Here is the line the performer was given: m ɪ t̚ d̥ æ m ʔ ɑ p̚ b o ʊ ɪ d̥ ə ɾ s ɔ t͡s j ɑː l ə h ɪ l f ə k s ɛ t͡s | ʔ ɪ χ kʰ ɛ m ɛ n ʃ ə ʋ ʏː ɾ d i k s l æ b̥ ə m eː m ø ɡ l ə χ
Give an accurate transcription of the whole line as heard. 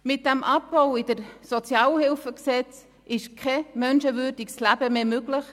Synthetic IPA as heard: m ɪ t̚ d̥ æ m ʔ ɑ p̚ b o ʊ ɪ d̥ ə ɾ s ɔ t͡s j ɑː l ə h ɪ l f ə k s ɛ t͡s | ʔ ɪ ʃ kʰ ɛ m œ n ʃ ə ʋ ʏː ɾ d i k s l æ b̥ ə m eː m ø ɡ l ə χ